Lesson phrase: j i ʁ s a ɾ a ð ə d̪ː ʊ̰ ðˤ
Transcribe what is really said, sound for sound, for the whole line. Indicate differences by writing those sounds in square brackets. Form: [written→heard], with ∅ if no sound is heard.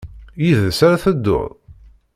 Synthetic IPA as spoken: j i [ʁ→ð] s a ɾ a [ð→θ] ə d̪ː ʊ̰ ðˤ